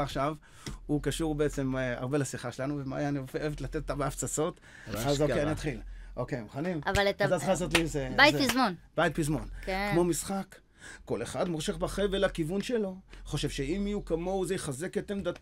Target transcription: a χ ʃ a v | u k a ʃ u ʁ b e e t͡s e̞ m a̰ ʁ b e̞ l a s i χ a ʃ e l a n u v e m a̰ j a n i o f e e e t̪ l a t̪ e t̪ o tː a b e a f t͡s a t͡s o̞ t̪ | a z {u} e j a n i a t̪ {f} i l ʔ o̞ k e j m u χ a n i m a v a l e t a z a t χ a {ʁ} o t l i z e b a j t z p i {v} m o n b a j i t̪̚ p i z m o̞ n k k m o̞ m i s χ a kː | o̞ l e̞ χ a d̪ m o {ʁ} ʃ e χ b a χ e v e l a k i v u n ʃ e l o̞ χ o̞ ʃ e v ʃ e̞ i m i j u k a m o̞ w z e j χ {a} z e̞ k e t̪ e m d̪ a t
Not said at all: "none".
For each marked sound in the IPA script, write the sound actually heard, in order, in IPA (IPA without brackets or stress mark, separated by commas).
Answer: o, χ, z, z, ʁ, a